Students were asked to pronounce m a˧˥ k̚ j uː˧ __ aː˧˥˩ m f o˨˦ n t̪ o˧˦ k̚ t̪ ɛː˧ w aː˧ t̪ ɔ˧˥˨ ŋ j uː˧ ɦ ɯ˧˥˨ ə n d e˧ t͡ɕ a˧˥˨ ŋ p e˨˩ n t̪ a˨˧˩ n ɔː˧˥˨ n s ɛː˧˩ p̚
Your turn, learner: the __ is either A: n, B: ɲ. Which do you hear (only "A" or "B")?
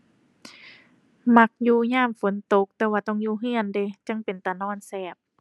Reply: B